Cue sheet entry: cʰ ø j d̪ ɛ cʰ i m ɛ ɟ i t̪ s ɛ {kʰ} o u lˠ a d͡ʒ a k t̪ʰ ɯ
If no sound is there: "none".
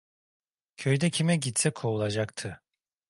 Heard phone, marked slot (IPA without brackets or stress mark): kʰ